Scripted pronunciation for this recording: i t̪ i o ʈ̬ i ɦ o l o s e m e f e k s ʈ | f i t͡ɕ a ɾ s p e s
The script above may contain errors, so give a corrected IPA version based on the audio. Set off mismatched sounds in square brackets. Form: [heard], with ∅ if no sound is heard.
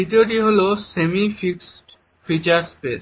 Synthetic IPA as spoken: i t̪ i o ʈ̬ i ɦ o l o s e m [i] f [i] k s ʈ | f i t͡ɕ a ɾ s p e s